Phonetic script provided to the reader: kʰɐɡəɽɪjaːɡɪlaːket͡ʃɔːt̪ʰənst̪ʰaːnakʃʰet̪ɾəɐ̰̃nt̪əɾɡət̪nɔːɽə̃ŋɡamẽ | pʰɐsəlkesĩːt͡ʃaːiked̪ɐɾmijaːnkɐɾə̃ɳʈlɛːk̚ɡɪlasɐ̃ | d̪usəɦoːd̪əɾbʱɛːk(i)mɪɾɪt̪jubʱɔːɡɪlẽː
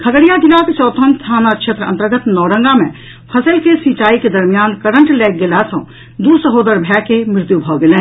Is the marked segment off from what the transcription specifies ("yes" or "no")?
yes